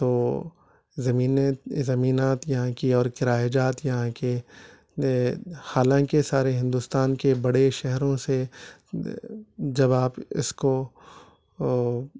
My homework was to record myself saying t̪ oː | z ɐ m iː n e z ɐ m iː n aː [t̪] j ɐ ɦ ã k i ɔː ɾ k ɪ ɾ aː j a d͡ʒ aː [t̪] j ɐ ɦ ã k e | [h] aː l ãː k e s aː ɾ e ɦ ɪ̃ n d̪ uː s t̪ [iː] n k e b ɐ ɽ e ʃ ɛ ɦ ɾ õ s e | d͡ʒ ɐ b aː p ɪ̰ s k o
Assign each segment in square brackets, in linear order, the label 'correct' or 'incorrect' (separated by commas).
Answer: correct, correct, correct, incorrect